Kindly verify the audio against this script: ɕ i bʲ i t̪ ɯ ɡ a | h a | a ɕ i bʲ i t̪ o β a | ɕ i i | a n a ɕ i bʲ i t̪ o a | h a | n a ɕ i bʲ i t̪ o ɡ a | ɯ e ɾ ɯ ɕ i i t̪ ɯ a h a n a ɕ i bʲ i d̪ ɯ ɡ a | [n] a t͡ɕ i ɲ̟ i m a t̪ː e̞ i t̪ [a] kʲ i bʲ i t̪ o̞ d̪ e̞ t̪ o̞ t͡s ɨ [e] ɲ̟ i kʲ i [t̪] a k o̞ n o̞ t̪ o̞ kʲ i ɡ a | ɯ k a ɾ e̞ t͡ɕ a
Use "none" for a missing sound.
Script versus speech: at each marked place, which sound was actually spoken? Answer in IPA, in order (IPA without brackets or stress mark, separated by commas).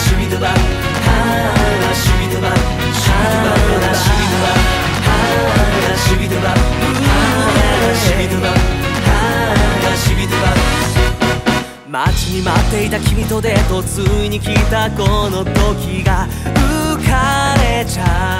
m, a, i, t̪